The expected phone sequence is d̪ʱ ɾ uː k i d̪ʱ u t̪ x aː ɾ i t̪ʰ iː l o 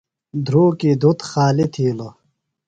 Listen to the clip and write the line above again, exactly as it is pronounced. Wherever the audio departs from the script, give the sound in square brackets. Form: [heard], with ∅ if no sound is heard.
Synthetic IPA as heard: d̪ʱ ɾ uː k i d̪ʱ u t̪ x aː [l] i t̪ʰ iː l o